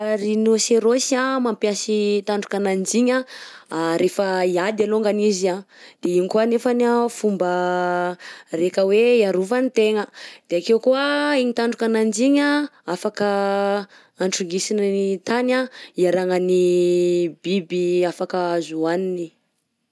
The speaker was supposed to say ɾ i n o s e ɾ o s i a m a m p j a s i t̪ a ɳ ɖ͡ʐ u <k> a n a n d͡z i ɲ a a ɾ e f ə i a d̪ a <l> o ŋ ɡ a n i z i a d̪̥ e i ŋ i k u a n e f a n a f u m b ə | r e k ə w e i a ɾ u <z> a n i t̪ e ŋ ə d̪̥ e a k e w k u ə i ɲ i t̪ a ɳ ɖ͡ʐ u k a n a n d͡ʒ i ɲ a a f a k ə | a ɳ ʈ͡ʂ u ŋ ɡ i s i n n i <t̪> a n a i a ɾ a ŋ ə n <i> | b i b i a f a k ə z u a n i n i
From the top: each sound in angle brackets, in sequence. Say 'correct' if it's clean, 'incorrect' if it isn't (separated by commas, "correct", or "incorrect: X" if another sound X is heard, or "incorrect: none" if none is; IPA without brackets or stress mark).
correct, correct, incorrect: v, correct, correct